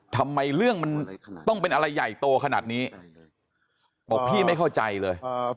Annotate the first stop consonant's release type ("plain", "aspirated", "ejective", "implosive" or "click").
aspirated